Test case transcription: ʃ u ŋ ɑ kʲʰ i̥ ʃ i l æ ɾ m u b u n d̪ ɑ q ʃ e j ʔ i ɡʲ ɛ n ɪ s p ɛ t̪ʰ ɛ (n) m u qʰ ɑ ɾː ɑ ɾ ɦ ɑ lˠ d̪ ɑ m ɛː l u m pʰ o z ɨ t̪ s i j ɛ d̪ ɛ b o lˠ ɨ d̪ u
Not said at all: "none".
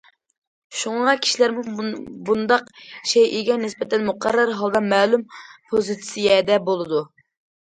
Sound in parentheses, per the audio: n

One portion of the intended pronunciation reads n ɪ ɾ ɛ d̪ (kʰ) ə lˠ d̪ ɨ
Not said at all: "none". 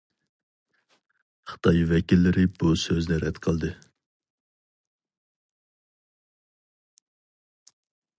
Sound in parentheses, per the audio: qʰ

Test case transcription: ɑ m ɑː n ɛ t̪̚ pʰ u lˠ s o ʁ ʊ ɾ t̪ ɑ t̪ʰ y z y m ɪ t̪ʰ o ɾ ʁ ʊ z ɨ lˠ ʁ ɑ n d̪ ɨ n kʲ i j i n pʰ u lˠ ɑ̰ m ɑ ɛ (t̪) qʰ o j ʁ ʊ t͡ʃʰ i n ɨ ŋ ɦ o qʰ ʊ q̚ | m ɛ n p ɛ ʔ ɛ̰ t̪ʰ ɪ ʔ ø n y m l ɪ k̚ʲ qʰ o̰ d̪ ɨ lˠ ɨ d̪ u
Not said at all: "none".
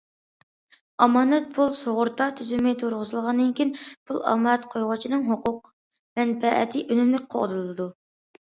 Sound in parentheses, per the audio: t̪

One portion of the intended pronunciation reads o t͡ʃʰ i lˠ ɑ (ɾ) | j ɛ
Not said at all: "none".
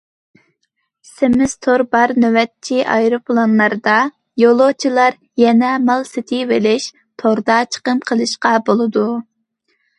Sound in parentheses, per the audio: ɾ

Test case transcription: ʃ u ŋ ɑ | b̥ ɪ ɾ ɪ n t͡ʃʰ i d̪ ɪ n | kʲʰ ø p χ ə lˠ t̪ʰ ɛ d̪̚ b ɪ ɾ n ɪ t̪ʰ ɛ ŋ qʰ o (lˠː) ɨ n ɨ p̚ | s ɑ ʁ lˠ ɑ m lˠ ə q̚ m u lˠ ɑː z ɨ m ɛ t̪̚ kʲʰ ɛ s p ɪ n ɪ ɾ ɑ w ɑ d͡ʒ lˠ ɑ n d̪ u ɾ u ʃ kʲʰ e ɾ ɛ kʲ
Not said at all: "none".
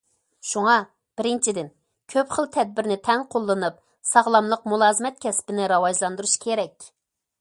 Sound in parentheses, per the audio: lˠː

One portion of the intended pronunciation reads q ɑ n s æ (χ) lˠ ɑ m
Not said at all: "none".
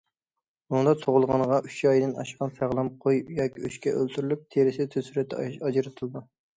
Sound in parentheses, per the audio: ʁ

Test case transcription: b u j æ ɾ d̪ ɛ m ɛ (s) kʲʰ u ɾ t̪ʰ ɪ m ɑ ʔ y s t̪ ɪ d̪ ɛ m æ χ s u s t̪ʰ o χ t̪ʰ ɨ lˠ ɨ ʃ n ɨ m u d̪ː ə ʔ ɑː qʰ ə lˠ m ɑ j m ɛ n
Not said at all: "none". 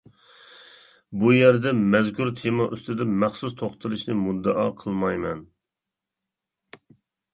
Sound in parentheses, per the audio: z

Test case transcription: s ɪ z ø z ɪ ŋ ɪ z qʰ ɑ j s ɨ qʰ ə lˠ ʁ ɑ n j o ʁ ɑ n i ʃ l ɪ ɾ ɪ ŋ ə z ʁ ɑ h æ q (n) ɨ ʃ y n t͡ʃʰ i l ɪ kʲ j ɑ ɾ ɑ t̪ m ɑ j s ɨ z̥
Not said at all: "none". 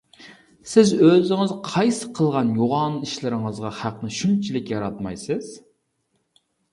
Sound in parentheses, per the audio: n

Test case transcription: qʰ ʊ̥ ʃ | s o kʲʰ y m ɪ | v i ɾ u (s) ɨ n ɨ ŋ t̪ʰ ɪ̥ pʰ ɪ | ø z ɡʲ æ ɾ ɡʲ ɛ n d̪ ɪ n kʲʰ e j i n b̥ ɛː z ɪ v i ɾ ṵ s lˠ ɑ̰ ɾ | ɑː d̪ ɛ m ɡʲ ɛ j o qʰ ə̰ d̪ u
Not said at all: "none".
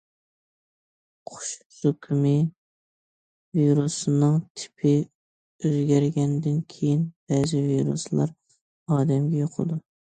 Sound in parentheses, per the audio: s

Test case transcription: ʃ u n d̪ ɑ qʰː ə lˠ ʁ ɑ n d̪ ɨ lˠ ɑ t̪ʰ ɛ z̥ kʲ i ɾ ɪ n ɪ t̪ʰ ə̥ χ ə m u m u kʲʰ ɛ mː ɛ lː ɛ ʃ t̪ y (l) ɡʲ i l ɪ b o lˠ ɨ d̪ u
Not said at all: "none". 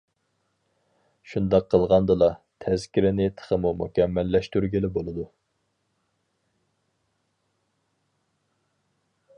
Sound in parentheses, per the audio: ɾ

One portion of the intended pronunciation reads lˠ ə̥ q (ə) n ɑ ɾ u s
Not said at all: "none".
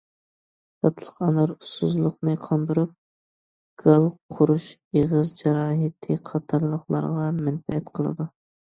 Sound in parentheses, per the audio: ɑ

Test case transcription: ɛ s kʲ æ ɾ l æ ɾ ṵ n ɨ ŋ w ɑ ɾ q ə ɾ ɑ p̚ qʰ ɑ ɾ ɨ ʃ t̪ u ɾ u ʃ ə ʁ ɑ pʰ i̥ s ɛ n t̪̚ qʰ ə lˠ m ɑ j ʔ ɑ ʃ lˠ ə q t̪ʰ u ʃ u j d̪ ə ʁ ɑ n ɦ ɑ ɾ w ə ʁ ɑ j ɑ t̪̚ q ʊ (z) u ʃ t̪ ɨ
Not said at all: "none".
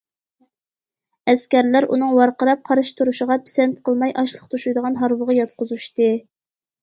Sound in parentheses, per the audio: z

